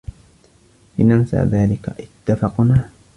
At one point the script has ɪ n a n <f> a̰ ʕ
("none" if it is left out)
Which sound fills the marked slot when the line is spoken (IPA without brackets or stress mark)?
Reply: s